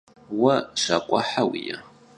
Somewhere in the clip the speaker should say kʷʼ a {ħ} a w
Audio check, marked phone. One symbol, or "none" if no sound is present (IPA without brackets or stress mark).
ħ